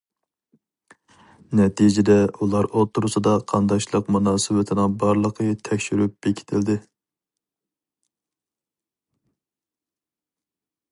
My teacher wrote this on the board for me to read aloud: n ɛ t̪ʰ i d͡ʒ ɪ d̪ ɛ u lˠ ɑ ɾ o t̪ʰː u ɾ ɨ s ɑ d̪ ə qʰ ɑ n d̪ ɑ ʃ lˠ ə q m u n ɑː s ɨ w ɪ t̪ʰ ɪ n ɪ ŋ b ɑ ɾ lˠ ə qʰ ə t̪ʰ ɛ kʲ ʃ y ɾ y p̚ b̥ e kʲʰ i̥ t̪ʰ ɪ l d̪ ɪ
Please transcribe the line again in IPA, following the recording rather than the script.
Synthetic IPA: n ɛ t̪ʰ i d͡ʒ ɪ d̪ ɛ u lˠ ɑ ɾ o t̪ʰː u ɾ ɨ s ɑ d̪ ɑ qʰ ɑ n d̪ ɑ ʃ lˠ ə q m u n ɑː s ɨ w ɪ t̪ʰ ɪ n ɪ ŋ b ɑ ɾ lˠ ə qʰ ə t̪ʰ ɛ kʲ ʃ y ɾ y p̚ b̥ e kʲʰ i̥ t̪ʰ ɪ l d̪ ɪ